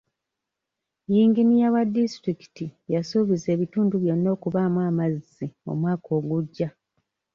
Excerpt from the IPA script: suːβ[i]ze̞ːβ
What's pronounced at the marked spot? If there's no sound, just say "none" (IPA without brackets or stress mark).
i